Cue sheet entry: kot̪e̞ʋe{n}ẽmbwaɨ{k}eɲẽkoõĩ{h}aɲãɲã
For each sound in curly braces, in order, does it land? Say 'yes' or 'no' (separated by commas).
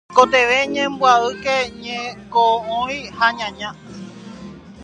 no, yes, yes